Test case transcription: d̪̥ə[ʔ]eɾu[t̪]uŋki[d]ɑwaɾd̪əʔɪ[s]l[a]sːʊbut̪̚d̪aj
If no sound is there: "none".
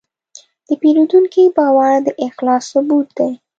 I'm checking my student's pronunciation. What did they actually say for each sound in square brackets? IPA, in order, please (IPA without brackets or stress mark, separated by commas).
p, d̪, b, x, ɑ